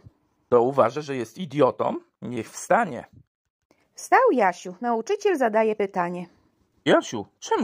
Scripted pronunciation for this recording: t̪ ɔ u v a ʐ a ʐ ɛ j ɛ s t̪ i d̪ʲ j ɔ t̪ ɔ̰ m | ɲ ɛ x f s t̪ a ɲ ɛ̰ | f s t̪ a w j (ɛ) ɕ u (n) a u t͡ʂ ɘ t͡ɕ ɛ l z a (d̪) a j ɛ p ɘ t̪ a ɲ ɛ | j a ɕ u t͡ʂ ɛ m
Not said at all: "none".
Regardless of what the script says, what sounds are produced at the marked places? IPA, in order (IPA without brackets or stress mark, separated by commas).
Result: a, n, d̪